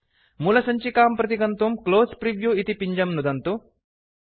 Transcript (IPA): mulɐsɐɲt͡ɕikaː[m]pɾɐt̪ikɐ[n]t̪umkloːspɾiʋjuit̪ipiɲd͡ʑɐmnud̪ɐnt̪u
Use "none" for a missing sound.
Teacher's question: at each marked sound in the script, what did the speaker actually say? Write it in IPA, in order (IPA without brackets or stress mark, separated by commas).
m, n